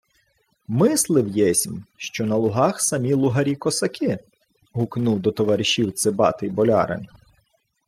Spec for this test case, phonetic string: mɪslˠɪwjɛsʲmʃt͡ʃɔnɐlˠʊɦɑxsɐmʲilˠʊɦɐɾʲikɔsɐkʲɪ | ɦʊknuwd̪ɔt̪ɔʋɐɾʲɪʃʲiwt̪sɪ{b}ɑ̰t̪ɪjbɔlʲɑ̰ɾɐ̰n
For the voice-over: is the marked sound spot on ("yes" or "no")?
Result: yes